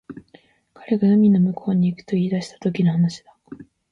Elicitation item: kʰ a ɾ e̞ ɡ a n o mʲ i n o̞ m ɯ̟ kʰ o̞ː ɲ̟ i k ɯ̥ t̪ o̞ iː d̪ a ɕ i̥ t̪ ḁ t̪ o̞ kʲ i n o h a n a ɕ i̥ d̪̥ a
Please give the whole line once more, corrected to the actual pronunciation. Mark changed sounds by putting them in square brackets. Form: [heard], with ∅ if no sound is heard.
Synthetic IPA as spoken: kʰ a ɾ e̞ ɡ a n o mʲ i n o̞ m ɯ̟ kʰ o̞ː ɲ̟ [iː] k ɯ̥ t̪ o̞ iː d̪ a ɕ i̥ t̪ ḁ t̪ o̞ kʲ i n o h a n a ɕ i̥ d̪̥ a